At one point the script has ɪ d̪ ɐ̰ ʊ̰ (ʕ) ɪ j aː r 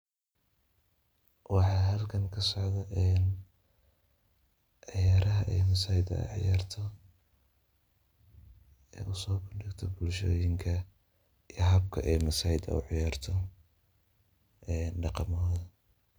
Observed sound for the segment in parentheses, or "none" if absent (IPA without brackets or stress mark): ʕ